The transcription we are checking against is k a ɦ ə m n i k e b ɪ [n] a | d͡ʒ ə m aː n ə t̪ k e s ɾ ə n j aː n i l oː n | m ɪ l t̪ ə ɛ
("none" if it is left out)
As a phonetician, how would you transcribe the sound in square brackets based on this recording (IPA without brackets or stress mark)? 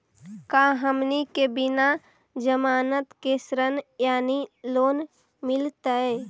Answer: n